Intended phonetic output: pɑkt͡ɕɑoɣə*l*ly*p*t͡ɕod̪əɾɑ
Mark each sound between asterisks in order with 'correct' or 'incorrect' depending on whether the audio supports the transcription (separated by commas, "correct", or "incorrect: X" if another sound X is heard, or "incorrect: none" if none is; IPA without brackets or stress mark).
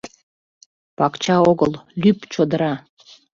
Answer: correct, correct